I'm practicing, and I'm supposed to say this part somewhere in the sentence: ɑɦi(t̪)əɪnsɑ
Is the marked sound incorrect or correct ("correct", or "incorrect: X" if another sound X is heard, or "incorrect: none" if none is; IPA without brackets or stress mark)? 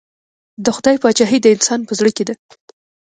incorrect: d̪